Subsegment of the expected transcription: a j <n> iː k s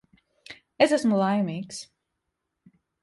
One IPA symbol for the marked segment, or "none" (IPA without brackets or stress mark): m